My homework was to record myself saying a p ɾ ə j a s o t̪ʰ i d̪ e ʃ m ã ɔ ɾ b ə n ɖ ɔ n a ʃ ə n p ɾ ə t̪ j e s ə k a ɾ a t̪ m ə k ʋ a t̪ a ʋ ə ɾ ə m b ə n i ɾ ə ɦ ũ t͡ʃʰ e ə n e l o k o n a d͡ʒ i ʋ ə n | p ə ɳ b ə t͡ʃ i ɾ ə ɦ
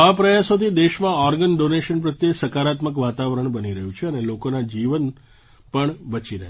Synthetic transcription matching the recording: a p ɾ ə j a s o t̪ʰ i d̪ e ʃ m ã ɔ ɾ ɡ ə n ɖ o n e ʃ ə n p ɾ ə t̪ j e s ə k a ɾ a t̪ m ə k ʋ a t̪ a ʋ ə ɾ ə ɳ b ə n i ɾ ə ɦ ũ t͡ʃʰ e ə n e l o k o n a d͡ʒ i ʋ ə n | p ə ɳ b ə t͡ʃ i ɾ ə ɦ